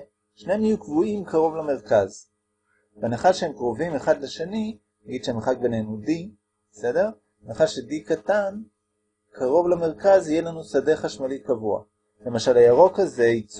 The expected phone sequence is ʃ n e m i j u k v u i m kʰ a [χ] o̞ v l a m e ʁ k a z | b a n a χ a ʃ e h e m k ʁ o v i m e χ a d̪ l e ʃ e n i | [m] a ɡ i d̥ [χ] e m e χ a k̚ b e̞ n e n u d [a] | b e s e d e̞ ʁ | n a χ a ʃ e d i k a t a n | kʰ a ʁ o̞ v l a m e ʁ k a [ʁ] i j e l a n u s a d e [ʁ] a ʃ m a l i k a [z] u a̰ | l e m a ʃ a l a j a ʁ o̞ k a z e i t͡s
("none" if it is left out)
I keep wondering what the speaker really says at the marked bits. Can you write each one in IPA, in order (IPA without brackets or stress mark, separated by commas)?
ʁ, n, ʃ, i, z, χ, v